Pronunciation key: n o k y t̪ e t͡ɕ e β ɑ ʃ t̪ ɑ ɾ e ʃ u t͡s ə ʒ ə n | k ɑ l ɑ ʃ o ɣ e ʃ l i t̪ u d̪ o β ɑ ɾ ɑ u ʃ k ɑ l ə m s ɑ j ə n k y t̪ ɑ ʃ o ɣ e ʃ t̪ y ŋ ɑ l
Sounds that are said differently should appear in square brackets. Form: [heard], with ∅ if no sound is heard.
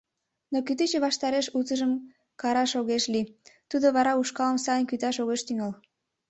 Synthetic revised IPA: n o k y t̪ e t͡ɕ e β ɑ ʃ t̪ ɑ ɾ e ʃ u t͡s ə ʒ ə [m] | k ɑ [ɾ] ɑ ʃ o ɣ e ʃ l i t̪ u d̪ o β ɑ ɾ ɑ u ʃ k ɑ l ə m s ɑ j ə n k y t̪ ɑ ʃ o ɣ e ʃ t̪ y ŋ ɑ l